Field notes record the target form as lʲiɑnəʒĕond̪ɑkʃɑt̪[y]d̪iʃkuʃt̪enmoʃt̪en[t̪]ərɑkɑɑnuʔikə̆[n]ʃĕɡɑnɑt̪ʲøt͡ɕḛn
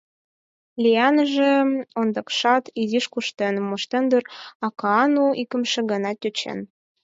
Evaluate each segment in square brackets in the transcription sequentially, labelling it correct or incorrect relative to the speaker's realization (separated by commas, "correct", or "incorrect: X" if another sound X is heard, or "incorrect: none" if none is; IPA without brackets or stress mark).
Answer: incorrect: i, incorrect: d̪, incorrect: m